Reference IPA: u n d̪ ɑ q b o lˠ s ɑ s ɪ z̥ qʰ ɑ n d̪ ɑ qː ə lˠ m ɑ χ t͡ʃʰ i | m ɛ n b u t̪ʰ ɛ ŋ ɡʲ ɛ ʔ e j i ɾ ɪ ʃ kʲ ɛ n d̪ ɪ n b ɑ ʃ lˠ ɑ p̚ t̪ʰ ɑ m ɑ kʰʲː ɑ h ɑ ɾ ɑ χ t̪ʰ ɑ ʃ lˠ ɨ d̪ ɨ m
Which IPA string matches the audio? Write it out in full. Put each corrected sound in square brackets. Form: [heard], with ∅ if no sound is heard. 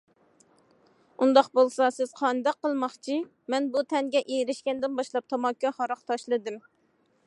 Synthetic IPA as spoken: u n d̪ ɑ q b o lˠ s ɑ s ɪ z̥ qʰ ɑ n d̪ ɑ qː ə lˠ m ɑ χ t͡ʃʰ i | m ɛ n b u t̪ʰ ɛ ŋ ɡʲ ɛ ʔ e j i ɾ ɪ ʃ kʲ ɛ n d̪ ɪ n b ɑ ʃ lˠ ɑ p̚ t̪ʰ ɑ m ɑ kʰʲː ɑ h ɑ ɾ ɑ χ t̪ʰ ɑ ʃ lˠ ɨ d̪ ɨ m